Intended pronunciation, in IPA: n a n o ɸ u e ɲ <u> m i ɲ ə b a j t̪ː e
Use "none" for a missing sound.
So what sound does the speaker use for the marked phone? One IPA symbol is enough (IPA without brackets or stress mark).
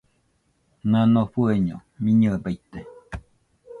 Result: o